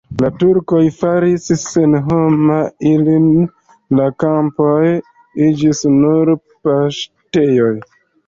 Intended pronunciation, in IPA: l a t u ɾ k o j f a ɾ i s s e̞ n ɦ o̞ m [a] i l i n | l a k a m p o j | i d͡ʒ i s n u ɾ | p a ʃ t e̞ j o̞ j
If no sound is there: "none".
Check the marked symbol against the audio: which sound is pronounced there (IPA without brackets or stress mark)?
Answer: a